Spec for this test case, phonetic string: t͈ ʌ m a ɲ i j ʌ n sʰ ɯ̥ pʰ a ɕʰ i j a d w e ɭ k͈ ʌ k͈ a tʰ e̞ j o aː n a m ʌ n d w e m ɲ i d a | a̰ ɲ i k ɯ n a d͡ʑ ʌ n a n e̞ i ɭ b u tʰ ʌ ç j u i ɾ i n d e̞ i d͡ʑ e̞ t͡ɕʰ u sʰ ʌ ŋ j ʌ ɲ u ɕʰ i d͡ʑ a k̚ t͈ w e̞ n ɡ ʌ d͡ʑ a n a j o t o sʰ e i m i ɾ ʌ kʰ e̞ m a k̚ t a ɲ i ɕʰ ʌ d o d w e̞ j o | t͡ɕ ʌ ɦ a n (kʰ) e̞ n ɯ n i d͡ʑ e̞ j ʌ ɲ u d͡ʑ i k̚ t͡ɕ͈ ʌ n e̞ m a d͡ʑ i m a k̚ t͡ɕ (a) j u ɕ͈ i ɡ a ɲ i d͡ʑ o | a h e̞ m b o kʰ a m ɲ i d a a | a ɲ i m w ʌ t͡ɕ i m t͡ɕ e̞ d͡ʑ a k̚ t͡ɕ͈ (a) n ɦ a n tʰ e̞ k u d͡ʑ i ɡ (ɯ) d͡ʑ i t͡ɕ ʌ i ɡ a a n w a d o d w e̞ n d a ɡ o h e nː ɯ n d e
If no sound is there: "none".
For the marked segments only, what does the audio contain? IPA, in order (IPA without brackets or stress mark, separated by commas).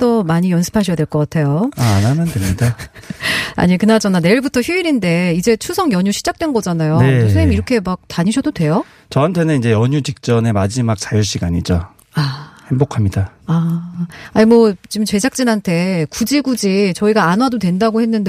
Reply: tʰ, a, i, u